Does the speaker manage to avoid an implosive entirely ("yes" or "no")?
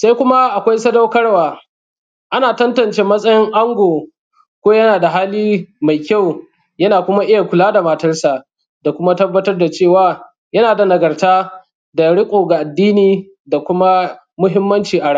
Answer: yes